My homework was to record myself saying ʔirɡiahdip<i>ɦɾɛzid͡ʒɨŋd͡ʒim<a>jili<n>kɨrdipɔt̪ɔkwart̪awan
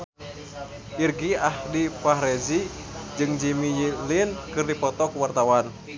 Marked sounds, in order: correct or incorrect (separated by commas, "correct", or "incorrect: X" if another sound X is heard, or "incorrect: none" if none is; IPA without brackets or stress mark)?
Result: incorrect: a, incorrect: i, correct